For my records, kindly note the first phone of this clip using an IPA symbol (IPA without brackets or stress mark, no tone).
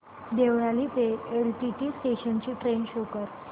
d̪